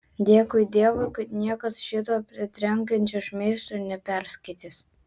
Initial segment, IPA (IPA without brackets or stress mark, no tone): d̪ʲ